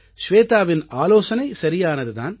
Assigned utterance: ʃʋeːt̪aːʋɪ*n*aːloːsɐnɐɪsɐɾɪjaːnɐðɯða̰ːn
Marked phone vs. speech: correct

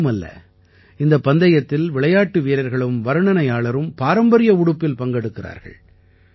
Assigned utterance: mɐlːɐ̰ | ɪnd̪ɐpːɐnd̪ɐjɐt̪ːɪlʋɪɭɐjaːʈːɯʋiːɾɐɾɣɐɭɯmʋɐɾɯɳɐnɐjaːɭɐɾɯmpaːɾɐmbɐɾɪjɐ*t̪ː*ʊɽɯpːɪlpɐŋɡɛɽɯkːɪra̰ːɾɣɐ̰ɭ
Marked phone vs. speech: incorrect: none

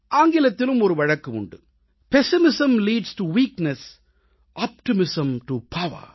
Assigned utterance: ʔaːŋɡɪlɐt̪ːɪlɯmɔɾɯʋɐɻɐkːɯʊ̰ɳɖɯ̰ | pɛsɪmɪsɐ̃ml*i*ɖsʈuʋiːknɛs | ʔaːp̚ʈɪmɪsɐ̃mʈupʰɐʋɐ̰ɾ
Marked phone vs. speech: incorrect: iː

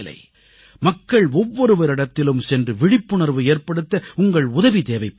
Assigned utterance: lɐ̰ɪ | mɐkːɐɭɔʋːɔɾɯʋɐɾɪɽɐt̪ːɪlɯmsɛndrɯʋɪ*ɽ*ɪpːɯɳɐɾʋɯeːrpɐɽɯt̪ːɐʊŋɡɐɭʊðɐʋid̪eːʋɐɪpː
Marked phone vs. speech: correct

